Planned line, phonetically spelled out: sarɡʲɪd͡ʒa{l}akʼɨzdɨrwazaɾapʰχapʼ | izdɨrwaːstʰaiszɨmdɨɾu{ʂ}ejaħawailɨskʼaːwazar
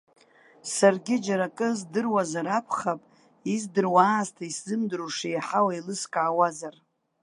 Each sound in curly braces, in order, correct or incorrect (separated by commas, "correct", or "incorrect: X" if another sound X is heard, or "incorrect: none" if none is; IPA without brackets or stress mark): incorrect: ɾ, correct